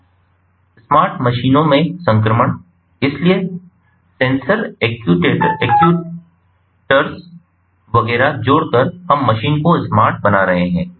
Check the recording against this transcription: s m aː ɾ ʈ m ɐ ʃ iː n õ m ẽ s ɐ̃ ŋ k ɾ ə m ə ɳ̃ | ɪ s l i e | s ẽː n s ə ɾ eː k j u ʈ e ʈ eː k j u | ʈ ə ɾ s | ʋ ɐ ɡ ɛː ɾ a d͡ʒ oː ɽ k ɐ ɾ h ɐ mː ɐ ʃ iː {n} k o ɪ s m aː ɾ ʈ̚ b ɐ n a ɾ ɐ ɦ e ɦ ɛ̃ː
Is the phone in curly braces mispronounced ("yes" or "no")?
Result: no